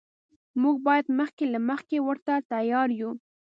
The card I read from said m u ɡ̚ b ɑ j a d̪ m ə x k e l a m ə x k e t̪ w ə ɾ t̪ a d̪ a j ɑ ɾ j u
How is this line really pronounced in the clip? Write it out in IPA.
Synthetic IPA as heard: m u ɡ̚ b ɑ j a d̪ m ə x k e l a m ə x k e w ə ɾ t̪ a t̪ a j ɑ ɾ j u